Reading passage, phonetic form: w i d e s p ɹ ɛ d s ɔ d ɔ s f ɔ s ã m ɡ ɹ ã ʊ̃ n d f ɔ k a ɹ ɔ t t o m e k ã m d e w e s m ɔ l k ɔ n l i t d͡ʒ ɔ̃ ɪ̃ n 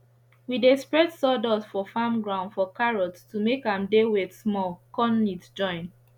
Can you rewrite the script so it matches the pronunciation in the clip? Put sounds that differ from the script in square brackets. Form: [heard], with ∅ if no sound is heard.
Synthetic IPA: w i d e s p ɹ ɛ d s ɔ d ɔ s f ɔ [f] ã m ɡ ɹ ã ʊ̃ n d f ɔ k a ɹ ɔ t t [u] m e k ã m d e w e s m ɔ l k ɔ n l i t d͡ʒ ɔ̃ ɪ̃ n